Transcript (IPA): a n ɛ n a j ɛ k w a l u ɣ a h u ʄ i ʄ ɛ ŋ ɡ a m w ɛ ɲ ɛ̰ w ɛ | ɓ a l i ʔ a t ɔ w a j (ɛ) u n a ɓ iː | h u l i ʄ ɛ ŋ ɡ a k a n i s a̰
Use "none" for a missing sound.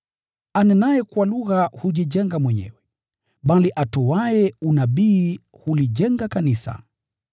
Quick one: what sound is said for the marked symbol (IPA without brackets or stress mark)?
ɛ